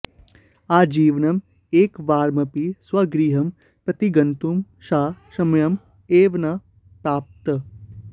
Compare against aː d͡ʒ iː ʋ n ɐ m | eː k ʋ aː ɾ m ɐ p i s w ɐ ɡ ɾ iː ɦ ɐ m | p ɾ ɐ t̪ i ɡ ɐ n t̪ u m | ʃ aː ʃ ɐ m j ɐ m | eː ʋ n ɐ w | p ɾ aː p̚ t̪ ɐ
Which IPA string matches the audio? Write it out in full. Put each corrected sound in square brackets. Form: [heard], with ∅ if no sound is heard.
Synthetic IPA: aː d͡ʒ iː ʋ n ɐ m | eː k ʋ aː ɾ m ɐ p i s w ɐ ɡ ɾ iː ɦ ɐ m | p ɾ ɐ t̪ i ɡ ɐ n t̪ u m | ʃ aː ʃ ɐ m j ɐ m | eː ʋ n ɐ [∅] | p ɾ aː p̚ t̪ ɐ